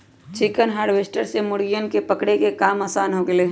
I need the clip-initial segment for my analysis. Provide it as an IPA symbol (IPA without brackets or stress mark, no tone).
t͡ʃ